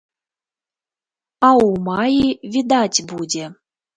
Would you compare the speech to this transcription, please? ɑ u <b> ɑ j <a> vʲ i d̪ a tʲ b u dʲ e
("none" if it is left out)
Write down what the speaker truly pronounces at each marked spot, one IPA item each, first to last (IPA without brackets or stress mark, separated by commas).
m, i